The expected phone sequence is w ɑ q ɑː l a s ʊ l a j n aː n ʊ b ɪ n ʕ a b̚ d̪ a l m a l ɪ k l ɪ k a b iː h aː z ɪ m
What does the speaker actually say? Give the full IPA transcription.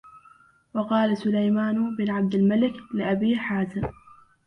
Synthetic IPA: w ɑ q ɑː l a s ʊ l a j m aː n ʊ b ɪ n ʕ a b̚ d̪ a l m a l ɪ k l ɪ ʔ a b iː ħ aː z ɪ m

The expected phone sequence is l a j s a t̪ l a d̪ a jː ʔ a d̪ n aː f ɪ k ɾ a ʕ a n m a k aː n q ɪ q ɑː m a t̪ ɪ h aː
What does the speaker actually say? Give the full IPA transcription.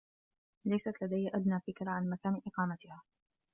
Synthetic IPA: l a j s a t̪ l a d̪ a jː ʔ a d̪ n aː f ɪ k ɾ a ʕ a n m a k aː n ʔ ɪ q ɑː m a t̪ ɪ h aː

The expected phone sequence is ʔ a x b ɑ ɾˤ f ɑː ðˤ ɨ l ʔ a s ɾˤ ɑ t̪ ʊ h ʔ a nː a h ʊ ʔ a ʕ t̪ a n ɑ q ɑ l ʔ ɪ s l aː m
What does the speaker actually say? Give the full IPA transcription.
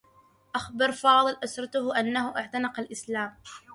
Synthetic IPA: ʔ a x b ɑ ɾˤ f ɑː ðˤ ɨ l ʔ a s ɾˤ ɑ t̪ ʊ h ʔ a nː a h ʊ ʔ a ʕ t̪ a n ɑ q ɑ l ʔ ɪ s l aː m

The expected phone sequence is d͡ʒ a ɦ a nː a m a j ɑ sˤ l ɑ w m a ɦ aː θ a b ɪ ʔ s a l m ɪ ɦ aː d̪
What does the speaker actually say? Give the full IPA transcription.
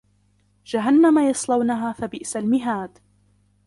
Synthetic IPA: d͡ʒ a ɦ a nː a m a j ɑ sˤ l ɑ w n a ɦ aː θ a b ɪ ʔ s a l m ɪ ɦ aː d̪

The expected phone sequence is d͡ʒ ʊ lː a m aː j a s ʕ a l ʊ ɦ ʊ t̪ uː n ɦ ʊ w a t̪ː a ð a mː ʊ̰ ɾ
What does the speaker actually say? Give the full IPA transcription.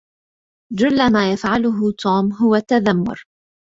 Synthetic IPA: d͡ʒ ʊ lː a m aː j a f ʕ a l ʊ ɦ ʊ t̪ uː m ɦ ʊ w a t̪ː a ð a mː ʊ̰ ɾ

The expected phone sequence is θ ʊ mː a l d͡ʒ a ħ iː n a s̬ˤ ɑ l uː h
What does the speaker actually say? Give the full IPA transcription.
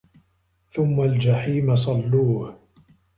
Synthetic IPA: θ ʊ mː a l d͡ʒ a ħ iː m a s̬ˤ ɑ lː uː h

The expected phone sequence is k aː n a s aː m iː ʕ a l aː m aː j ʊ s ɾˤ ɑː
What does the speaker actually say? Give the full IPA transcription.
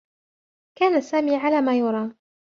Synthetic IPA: k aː n a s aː m iː ʕ a l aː m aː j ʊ ɾˤ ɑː

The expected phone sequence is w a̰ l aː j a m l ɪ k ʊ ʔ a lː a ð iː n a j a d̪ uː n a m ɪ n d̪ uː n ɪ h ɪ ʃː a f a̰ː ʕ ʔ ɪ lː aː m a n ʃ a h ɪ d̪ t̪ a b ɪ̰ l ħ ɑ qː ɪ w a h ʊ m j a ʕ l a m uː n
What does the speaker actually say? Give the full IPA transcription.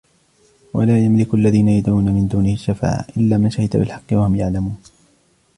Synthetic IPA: w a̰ l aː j a m l ɪ k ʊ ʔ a lː a ð iː n a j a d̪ uː n a m ɪ n d̪ uː n ɪ h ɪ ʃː a f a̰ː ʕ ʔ ɪ lː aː m a n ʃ a h ɪ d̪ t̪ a b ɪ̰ l ħ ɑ qː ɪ w a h ʊ m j a ʕ l a m uː n

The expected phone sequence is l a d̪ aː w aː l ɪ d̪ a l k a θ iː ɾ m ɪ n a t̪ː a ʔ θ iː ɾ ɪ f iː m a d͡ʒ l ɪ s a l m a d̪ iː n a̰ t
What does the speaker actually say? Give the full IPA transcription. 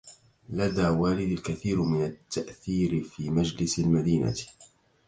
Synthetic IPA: l a d̪ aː w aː l ɪ d̪ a l k a θ iː ɾ m ɪ n a t̪ː a ʔ θ iː ɾ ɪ f iː m a d͡ʒ l ɪ s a l m a d̪ iː n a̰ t

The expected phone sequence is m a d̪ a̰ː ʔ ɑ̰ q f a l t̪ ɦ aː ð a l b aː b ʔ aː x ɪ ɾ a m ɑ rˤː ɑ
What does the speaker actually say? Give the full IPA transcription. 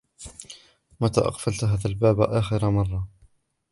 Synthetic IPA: m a t̪ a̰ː ʔ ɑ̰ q f a l t̪ ɦ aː ð a l b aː b ʔ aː x ɪ ɾ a m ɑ rˤː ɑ

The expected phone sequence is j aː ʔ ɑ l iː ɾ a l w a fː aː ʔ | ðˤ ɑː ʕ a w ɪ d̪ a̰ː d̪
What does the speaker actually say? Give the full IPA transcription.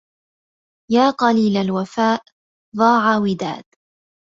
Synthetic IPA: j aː q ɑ l iː l a l w a f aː ʔ | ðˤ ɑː ʕ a w ɪ d̪ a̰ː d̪

